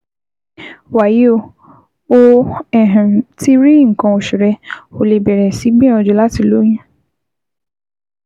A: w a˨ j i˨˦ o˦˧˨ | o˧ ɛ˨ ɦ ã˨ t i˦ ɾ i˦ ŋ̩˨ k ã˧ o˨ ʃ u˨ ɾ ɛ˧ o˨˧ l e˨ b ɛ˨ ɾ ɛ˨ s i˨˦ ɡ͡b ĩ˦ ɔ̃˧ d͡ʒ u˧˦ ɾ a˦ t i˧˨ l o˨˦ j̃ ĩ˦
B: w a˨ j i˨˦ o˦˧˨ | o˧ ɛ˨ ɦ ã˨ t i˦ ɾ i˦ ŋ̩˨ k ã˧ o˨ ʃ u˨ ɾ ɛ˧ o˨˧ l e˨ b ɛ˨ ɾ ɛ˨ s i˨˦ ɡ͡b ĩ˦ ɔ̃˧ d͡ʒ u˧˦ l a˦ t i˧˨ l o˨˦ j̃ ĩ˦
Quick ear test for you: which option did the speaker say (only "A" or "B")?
B